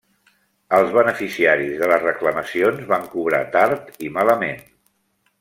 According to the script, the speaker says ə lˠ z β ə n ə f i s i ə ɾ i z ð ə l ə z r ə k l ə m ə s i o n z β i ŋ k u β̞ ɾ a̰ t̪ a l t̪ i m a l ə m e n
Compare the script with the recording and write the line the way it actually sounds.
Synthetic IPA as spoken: ə lˠ z β ə n ə f i s i a ɾ i z ð ə l ə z r ə k l ə m ə s i o n z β a ŋ k u β̞ ɾ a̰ t̪ a ɾ t̪ i m a l ə m e n